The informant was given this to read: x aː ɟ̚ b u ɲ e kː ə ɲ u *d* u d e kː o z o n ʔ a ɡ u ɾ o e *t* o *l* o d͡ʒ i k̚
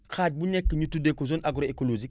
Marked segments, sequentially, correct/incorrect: incorrect, incorrect, correct

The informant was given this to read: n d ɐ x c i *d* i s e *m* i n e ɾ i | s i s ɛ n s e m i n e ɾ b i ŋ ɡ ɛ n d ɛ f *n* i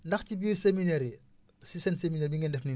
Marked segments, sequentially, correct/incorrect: incorrect, correct, correct

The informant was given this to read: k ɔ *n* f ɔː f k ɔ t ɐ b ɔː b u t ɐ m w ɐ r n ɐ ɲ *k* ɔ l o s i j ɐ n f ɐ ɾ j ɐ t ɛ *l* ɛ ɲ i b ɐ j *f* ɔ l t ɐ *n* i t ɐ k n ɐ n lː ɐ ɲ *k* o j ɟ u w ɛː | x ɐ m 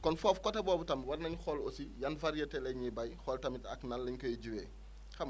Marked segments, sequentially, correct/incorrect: correct, incorrect, correct, incorrect, incorrect, correct

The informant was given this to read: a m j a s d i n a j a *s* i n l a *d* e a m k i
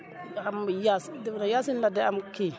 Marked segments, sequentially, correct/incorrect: correct, correct

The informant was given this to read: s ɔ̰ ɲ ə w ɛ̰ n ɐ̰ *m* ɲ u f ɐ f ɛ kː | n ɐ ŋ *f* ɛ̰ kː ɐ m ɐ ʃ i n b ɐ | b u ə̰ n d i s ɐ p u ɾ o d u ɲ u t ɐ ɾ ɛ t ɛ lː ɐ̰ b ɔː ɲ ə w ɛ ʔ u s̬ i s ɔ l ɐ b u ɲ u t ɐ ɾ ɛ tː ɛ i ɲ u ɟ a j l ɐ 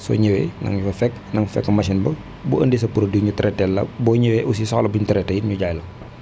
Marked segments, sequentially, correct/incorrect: incorrect, correct

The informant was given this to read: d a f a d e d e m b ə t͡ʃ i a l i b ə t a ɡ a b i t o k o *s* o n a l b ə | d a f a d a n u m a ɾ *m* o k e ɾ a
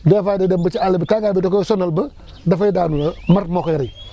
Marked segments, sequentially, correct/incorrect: correct, correct

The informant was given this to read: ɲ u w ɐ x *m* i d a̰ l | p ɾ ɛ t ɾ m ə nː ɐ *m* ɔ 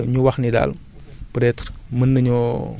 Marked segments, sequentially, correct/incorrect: incorrect, incorrect

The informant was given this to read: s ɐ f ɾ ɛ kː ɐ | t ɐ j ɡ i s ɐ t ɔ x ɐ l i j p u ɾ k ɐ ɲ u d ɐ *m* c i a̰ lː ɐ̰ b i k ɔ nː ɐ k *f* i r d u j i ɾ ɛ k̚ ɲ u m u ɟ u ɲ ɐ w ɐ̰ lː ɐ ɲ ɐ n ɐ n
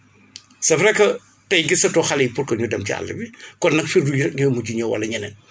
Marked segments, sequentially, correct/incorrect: correct, correct

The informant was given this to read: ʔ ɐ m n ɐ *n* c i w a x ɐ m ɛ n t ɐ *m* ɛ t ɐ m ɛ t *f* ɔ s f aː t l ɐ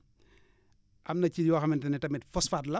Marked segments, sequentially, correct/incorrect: incorrect, incorrect, correct

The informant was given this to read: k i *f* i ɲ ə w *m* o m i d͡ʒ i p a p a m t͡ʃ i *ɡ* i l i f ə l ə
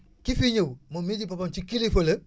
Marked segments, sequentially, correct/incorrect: correct, correct, incorrect

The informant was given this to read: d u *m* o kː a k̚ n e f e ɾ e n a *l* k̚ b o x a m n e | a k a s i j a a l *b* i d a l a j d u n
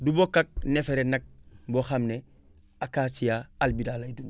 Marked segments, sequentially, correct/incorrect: incorrect, incorrect, correct

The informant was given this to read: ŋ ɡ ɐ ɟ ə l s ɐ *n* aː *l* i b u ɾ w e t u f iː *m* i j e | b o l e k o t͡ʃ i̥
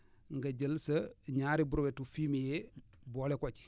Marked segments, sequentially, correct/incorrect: incorrect, incorrect, correct

